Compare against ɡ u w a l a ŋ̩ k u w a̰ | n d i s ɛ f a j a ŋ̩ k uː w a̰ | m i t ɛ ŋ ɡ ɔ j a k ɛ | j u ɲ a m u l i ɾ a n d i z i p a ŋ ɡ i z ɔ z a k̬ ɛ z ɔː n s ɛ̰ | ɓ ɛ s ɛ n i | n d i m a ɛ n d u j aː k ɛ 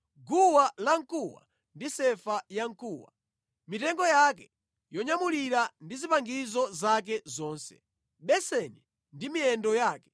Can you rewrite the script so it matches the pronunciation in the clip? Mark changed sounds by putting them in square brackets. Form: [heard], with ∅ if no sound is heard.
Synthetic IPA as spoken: ɡ u w a l a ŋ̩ k u w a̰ | n d i s ɛ f a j a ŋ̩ k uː w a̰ | m i t ɛ ŋ ɡ ɔ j a k ɛ | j [ɔ] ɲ a m u l i ɾ a n d i z i p a ŋ ɡ i z ɔ z a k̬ ɛ z ɔː n s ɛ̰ | ɓ ɛ s ɛ n i | n d i m [i] ɛ n d [ɔ] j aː k ɛ